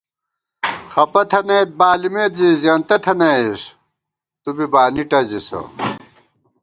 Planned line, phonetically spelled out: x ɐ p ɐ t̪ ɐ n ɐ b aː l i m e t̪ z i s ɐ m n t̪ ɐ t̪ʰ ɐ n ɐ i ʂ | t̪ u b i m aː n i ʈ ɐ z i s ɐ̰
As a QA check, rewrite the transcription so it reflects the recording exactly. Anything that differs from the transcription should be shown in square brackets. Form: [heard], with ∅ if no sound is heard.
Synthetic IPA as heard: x ɐ p ɐ [t̪ʰ] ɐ n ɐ b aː l i m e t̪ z i [z] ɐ [∅] n t̪ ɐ t̪ʰ ɐ n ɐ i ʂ | t̪ u b i [b] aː n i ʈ ɐ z i s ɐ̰